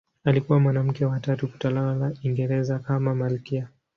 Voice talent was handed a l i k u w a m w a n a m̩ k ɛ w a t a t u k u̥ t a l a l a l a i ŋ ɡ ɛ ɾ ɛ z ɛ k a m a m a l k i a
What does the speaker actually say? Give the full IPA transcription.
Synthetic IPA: a l i k u w a m w a n a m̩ k ɛ w a t a t u k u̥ t a l a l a l a i ŋ ɡ ɛ ɾ ɛ z a k a m a m a l k i a